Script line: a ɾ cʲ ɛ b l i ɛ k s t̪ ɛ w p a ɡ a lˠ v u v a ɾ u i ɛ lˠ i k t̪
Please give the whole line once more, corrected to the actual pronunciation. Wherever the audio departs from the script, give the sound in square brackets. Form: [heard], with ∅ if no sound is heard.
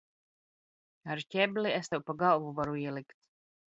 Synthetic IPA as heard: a ɾ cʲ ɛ b l i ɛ [∅] s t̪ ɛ w p a ɡ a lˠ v u v a ɾ u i ɛ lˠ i k t̪